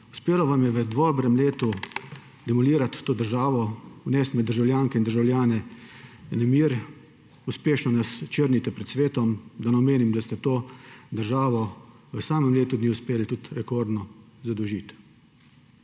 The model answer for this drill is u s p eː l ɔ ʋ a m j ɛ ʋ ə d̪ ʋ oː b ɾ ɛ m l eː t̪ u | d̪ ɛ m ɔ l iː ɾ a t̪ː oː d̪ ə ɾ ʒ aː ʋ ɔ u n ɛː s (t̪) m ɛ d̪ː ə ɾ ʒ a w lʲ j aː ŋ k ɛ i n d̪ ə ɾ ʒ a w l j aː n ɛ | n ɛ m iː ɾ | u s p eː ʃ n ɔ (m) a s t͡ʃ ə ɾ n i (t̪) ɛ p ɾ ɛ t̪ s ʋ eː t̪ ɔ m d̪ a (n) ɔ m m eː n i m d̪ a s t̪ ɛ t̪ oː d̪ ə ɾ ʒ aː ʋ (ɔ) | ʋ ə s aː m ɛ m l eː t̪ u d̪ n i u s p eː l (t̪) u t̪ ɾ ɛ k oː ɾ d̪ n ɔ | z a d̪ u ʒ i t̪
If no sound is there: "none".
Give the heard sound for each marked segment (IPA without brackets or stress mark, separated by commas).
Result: t̪, n, t̪, n, ɔ, t̪